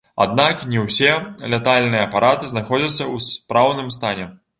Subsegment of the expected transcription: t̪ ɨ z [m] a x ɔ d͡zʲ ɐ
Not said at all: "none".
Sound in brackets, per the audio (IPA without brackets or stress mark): n